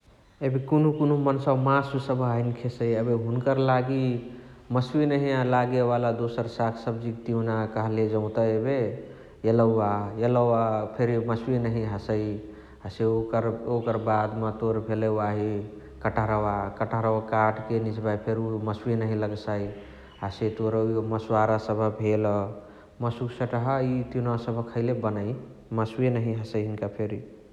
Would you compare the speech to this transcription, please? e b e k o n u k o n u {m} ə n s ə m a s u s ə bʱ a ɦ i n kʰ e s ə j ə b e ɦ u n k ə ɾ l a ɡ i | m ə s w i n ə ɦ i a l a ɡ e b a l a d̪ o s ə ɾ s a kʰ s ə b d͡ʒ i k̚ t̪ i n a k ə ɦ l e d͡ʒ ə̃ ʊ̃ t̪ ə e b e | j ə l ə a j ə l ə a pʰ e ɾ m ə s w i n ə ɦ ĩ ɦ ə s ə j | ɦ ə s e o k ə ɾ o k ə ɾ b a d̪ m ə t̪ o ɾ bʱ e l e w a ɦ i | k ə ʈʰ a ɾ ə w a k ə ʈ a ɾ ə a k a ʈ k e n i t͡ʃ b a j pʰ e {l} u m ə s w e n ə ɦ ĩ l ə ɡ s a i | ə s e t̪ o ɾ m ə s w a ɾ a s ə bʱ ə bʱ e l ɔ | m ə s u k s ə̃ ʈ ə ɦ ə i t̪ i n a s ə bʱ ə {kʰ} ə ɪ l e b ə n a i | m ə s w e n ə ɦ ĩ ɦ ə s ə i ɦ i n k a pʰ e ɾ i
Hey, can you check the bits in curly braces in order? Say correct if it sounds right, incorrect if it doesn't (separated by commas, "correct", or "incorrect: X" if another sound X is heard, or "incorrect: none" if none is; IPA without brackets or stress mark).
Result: correct, incorrect: ɾ, correct